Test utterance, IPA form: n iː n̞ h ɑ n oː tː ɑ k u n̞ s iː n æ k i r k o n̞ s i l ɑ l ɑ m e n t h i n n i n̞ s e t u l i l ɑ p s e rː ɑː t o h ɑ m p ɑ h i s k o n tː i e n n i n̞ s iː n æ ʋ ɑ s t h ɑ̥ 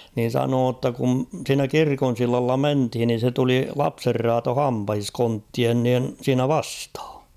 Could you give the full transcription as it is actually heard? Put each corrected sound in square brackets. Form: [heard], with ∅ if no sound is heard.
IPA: n iː n̞ [s] ɑ n oː tː ɑ k u n̞ s iː n æ k i r k o n̞ s i [lː] ɑ [lː] ɑ m e n t h i n n i n̞ s e t u l i l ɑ p s e rː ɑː t o h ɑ m p ɑ h i s k o n tː i e n n [iː] n̞ s iː n æ ʋ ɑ s t h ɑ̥